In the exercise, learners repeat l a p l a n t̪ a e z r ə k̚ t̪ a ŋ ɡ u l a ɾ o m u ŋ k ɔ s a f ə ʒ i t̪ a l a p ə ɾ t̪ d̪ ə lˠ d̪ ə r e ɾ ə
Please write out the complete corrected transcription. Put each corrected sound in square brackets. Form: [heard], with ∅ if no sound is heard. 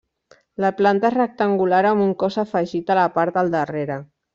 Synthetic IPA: l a p l a n t̪ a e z r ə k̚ t̪ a ŋ ɡ u l a ɾ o m u ŋ k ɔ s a f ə ʒ i t̪ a l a p [a] ɾ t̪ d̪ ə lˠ d̪ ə r e ɾ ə

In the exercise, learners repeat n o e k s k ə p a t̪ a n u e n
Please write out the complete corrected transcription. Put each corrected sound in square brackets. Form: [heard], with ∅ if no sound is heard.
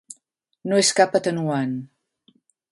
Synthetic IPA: n o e [∅] s k [a] p [ə] t̪ [ə] n u [a] n

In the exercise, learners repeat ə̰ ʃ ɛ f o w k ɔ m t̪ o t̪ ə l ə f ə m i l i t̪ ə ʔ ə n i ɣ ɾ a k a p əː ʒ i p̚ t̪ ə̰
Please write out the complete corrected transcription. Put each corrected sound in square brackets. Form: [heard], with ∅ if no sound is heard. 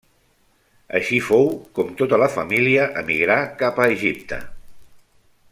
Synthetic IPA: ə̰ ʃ [i] f o w k ɔ m t̪ o t̪ ə l ə f ə m i l i [∅] ə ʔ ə [m] i ɣ ɾ a k a p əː ʒ i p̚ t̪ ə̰

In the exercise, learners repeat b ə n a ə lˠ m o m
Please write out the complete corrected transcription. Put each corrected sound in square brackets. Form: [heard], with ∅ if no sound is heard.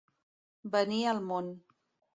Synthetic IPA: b ə n [i] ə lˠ m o [n]

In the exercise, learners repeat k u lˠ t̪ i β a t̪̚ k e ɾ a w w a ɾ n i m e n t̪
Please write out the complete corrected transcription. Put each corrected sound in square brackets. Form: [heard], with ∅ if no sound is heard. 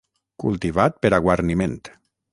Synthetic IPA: k u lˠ t̪ i β a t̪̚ [p] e ɾ a [ɣ] w a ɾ n i m e n t̪

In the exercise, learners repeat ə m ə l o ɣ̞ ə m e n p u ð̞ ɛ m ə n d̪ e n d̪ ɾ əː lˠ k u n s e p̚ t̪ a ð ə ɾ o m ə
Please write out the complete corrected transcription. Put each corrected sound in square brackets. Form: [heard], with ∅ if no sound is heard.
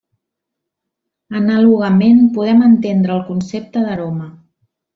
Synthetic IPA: ə [n] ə l [u] ɣ̞ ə m e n p u ð̞ ɛ m ə n [t̪] e n d̪ ɾ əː lˠ k u n s e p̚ t̪ [ə] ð ə ɾ o m ə

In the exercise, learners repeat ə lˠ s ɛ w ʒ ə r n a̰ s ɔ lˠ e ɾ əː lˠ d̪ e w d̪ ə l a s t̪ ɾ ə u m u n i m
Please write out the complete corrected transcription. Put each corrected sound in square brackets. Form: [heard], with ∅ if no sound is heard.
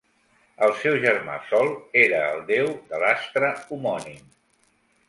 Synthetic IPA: ə lˠ s ɛ w ʒ ə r [m] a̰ s ɔ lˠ e ɾ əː lˠ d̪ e w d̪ ə l a s t̪ ɾ ə u m [ɔ] n i m

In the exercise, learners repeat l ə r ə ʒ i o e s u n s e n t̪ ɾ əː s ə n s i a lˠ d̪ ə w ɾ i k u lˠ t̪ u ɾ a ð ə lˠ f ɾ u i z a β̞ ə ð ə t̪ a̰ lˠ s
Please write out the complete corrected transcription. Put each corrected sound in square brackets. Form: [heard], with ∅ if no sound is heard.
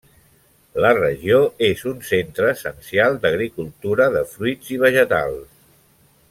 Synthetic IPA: l ə r ə ʒ i o e [z] u n s e n t̪ ɾ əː s ə n s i a lˠ d̪ ə [ɣ] ɾ i k u lˠ t̪ u ɾ [ə] ð ə [∅] f ɾ u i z [i] β̞ ə [ʒ] ə t̪ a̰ lˠ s

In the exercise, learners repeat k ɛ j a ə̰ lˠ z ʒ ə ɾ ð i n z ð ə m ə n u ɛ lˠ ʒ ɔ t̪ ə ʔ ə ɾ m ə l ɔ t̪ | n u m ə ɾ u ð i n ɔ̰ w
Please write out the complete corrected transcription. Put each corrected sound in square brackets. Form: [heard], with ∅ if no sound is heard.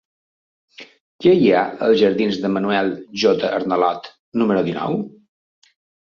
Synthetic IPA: k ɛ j a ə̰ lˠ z ʒ ə ɾ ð i n z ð ə m ə n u ɛ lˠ ʒ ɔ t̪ ə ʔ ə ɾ [n] ə l ɔ t̪ | n u m ə ɾ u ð i n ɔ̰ w

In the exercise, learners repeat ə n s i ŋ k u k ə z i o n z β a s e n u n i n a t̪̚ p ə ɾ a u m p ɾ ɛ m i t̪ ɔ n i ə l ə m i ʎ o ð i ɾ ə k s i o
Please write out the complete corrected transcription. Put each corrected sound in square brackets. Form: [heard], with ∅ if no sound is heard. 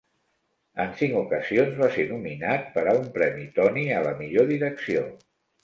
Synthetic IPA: ə n s i ŋ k u k ə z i o n z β a s e n u [m] i n a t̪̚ p ə ɾ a u m p ɾ ɛ m i t̪ ɔ n i ə l ə m i ʎ o ð i ɾ ə k s i o

